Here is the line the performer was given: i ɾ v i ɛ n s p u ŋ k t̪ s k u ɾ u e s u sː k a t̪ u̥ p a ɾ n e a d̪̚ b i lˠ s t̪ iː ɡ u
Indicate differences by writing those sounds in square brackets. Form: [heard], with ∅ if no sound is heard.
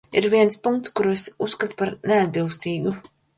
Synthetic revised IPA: i ɾ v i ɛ n s p u ŋ k t̪ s k u ɾ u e s u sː k a t̪ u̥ p a ɾ n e a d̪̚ b i lˠ s t̪ iː ɡ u